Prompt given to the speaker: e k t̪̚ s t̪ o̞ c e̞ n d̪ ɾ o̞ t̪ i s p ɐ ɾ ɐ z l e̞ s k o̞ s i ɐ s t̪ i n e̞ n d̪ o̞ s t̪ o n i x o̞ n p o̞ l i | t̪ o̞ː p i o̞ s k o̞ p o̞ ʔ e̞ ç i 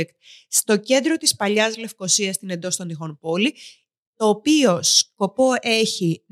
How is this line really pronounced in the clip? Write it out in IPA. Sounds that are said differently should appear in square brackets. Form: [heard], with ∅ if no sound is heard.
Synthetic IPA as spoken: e k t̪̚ s t̪ o̞ c e̞ n d̪ ɾ o̞ t̪ i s p ɐ [ʎ] ɐ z l e̞ [f] k o̞ s i ɐ s t̪ i n e̞ n d̪ o̞ s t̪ o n i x o̞ n p o̞ l i | t̪ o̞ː p i o̞ s k o̞ p o̞ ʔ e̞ ç i